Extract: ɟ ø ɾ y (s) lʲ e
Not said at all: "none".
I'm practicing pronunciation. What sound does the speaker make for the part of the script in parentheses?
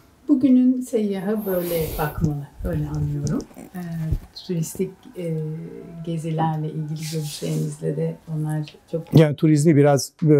ʃ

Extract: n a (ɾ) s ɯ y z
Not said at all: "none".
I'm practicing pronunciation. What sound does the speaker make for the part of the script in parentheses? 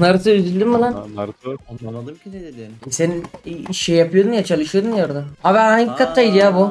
ɾ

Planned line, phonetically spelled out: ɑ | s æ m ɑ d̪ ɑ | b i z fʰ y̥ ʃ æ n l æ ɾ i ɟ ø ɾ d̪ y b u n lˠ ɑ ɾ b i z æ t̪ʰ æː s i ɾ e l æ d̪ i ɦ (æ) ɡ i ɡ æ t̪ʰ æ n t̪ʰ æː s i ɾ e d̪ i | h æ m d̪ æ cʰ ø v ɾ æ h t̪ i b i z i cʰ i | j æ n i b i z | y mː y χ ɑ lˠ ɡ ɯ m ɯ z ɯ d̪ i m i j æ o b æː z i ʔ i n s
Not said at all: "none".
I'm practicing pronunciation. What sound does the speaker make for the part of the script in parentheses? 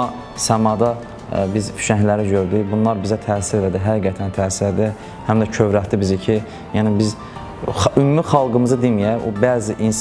æ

